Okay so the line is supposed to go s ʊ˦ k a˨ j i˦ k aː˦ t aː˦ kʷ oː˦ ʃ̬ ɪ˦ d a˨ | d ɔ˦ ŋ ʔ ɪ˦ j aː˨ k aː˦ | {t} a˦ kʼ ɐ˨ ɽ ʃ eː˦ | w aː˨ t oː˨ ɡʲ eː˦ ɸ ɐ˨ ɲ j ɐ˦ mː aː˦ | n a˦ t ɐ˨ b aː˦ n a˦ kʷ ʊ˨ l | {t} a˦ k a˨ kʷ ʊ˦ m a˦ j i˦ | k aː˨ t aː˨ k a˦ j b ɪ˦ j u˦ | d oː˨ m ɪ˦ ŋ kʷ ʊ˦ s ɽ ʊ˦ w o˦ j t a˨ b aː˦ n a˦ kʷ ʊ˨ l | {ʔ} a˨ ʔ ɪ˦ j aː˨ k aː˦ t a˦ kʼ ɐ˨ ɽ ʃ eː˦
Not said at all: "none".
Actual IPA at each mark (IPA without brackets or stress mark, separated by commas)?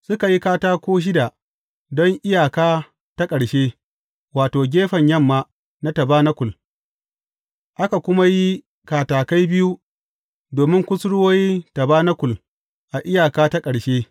t, ʔ, ʔ